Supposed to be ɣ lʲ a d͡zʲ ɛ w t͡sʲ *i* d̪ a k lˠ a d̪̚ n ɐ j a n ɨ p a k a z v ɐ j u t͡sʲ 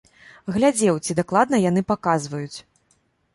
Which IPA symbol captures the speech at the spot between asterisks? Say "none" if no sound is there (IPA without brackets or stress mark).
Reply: i